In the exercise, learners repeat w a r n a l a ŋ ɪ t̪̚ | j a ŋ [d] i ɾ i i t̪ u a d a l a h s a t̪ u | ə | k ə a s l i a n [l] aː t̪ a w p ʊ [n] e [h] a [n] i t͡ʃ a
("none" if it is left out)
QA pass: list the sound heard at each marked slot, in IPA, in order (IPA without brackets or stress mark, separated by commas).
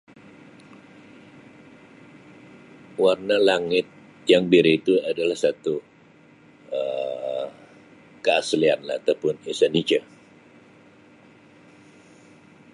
b, l, n, s, n